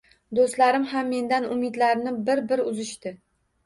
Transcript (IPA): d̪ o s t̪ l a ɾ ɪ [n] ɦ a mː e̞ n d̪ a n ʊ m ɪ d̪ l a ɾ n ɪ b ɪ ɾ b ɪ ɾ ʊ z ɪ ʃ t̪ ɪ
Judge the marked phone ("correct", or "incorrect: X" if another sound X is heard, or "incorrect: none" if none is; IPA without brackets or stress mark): incorrect: m